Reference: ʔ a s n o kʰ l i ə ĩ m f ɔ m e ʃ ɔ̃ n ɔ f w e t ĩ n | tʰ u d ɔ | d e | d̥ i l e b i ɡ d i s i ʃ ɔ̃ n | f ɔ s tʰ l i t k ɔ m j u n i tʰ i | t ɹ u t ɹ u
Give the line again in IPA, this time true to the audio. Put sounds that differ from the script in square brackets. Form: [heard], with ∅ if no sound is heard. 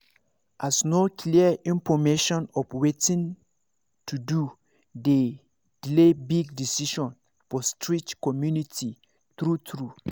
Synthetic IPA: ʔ a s n o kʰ l i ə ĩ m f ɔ m e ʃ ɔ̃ n ɔ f w e t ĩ n | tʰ u d [u] | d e | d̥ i l e b i ɡ d i s i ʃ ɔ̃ n | f ɔ s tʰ [ɹ] i [t͡ʃ] k ɔ m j u n i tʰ i | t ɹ u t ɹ u